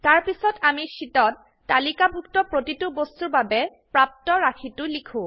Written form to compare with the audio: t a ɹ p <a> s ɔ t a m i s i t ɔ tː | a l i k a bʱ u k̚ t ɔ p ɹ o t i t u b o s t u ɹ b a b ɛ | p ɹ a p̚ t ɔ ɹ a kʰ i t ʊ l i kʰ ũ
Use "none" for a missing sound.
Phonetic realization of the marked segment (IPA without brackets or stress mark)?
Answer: i